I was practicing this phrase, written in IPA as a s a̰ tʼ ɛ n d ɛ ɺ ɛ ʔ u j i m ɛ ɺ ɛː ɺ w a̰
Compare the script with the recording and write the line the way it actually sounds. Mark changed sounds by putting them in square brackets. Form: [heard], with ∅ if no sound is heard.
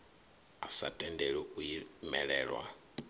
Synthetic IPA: a s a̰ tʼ ɛ n d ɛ ɺ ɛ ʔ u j i m ɛ ɺ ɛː ɺ w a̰